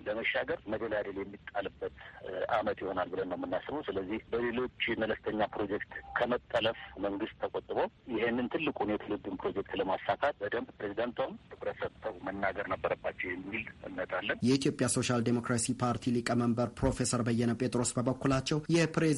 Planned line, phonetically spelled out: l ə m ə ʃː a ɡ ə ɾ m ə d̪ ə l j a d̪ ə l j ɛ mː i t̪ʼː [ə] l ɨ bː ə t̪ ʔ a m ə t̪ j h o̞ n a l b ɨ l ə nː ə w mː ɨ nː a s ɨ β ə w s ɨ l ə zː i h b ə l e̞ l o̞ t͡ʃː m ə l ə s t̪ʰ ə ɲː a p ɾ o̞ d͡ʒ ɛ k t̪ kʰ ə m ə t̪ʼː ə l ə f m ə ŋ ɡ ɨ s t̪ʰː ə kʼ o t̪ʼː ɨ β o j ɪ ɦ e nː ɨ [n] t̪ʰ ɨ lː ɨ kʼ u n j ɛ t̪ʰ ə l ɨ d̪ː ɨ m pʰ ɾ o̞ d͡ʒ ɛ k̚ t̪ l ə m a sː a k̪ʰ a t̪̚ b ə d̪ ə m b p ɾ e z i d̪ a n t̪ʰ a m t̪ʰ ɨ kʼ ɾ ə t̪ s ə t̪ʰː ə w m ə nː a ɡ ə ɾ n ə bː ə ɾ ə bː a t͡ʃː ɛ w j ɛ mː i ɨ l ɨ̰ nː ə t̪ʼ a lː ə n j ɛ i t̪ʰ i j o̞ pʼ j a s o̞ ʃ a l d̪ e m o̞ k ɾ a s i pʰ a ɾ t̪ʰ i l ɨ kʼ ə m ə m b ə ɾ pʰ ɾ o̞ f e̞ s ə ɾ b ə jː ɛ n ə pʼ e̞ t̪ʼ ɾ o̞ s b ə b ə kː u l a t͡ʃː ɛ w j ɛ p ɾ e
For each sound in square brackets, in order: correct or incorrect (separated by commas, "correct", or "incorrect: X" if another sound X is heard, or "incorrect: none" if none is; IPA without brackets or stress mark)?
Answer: incorrect: a, correct